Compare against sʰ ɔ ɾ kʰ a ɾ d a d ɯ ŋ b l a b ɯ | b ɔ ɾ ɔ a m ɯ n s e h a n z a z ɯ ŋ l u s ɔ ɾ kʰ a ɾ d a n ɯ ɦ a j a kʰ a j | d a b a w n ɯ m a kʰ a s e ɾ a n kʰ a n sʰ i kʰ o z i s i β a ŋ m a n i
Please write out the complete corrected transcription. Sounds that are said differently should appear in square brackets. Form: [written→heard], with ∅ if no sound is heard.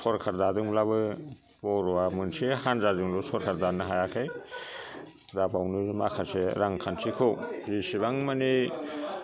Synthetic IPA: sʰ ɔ ɾ kʰ a ɾ d a d ɯ ŋ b l a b ɯ | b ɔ ɾ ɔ a m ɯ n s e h a n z a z ɯ ŋ l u s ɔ ɾ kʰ a ɾ d a n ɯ ɦ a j a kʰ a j | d a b a w n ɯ m a kʰ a s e ɾ a [n→ŋ] kʰ a n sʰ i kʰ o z i s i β a ŋ m a n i